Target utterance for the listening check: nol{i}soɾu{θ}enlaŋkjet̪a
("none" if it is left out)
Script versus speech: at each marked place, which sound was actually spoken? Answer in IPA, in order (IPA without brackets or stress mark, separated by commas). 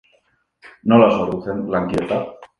a, θ